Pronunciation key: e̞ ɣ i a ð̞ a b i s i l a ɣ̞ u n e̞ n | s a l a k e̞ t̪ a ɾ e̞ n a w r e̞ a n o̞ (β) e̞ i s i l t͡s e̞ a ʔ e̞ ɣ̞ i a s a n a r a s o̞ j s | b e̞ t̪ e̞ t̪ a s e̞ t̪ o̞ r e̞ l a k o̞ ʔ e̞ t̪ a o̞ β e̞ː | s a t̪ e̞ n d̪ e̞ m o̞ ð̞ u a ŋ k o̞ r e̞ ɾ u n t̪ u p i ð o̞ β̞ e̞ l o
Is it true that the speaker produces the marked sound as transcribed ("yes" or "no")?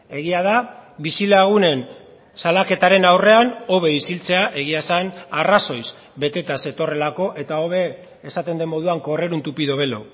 yes